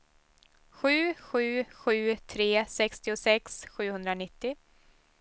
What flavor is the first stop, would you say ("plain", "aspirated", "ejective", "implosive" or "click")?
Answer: aspirated